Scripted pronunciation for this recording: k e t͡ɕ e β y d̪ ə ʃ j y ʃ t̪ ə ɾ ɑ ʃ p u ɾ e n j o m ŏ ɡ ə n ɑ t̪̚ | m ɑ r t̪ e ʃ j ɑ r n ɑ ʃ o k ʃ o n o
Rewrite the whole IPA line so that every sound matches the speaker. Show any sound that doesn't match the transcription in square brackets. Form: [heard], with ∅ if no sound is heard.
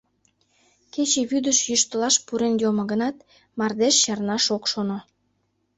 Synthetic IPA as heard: k e t͡ɕ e β y d̪ ə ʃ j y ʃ t̪ ə [l] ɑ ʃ p u ɾ e n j o m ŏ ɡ ə n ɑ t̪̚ | m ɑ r [d̪] e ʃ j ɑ r n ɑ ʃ o k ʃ o n o